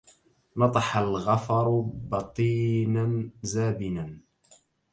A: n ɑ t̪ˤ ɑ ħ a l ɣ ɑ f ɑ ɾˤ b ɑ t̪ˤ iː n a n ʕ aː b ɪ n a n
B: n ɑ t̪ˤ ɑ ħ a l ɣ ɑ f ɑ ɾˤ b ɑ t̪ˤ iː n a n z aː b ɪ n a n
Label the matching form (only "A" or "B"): B